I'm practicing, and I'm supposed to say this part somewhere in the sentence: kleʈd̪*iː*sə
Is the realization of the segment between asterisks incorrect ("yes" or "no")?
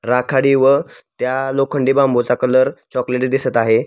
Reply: yes